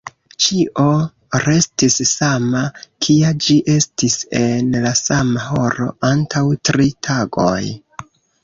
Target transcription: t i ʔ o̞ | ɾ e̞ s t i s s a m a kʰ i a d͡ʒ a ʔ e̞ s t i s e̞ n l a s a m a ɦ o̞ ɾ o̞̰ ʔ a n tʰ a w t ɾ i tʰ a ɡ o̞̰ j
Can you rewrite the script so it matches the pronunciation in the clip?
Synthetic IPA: t͡ʃ i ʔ o̞ | ɾ e̞ s t i s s a m a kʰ i a d͡ʒ i ʔ e̞ s t i s e̞ n l a s a m a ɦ o̞ ɾ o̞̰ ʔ a n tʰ a w t ɾ i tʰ a ɡ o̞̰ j